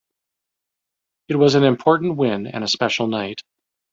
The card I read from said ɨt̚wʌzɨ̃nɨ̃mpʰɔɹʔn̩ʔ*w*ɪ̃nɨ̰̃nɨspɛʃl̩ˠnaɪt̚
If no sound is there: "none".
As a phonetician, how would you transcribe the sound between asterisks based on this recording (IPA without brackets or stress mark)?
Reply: w